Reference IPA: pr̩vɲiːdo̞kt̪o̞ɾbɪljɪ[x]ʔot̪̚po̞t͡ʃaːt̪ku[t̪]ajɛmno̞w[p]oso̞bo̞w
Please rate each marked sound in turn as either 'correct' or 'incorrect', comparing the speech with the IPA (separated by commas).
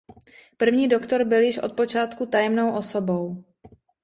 incorrect, correct, incorrect